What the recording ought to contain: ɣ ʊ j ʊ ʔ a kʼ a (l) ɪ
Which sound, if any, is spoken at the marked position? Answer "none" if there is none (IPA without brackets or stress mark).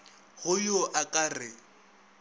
r